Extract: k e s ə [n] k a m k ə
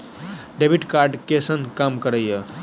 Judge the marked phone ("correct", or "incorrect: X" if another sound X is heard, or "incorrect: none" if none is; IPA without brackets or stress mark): correct